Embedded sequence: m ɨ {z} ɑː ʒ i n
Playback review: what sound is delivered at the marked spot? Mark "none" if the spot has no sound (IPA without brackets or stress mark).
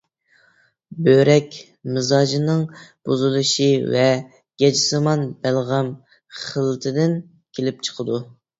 z